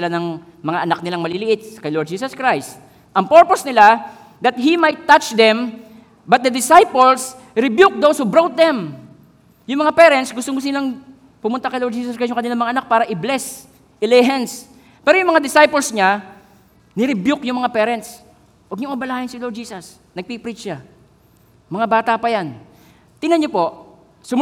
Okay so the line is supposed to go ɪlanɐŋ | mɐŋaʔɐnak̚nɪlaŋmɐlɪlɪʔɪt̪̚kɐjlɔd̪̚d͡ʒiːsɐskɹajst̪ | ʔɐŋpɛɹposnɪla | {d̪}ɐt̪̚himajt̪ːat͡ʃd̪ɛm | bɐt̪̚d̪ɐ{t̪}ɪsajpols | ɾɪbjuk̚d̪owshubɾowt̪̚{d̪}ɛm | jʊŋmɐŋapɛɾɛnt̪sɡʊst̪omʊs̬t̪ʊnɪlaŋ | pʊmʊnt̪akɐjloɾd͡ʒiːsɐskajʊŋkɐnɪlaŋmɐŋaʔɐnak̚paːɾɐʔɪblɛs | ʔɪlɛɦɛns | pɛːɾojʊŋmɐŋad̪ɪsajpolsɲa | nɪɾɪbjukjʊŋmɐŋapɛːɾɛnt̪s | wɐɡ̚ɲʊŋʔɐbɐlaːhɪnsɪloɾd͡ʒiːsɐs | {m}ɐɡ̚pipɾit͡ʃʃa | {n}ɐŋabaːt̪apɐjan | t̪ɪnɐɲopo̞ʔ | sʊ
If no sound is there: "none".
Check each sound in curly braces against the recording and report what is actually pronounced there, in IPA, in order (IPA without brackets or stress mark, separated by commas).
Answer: d̪, d̪, d̪, n, m